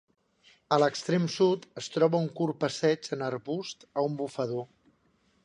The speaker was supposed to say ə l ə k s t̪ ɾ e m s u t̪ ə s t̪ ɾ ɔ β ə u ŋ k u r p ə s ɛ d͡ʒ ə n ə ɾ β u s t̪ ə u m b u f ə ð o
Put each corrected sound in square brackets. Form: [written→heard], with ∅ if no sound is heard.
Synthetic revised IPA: ə l ə k s t̪ ɾ e m s u t̪ ə s t̪ ɾ ɔ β ə u ŋ k u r p ə s ɛ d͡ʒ ə n ə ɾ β u s t̪ ə u m b u f ə ð o